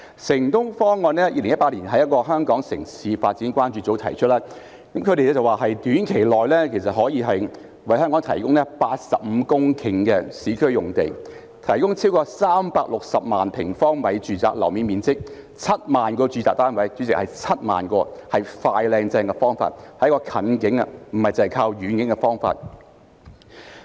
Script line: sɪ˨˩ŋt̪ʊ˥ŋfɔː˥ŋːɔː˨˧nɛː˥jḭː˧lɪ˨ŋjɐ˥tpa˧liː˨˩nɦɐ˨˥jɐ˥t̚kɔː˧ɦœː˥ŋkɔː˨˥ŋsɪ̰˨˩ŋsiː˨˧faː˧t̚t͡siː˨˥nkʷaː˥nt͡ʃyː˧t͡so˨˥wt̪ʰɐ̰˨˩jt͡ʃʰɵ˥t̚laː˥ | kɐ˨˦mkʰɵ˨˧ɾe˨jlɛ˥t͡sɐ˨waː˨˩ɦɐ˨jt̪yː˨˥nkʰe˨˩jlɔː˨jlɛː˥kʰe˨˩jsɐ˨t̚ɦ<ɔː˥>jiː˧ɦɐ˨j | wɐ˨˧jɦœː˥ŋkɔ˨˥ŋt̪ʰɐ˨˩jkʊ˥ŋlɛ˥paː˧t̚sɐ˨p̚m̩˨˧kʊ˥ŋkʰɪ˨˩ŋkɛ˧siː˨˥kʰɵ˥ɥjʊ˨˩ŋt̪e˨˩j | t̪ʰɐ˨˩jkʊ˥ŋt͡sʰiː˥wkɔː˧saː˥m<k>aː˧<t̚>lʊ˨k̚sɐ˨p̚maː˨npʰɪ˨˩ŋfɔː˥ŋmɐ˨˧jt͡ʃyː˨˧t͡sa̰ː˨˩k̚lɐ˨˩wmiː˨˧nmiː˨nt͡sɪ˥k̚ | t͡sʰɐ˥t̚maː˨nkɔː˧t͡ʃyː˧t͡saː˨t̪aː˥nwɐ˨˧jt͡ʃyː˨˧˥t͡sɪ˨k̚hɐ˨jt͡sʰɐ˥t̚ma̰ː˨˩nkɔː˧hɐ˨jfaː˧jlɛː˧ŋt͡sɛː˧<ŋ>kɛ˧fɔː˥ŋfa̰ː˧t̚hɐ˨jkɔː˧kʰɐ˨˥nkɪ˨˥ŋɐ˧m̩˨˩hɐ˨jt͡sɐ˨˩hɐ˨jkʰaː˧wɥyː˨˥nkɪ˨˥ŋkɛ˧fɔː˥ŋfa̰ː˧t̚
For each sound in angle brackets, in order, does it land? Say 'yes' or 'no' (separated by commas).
no, no, no, yes